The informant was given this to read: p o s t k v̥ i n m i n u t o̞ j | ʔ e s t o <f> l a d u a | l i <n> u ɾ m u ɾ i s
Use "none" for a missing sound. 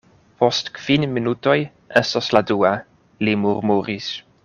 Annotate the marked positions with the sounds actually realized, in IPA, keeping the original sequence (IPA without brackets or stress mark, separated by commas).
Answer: s, m